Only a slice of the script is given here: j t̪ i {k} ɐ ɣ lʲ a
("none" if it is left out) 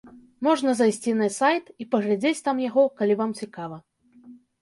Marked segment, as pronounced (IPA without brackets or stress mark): p